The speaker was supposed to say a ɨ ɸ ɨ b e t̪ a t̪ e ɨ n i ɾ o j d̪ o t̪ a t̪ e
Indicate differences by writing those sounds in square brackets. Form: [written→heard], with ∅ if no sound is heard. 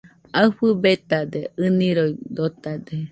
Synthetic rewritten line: a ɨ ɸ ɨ b e t̪ a [t̪→d̪] e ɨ n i ɾ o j d̪ o t̪ a [t̪→d̪] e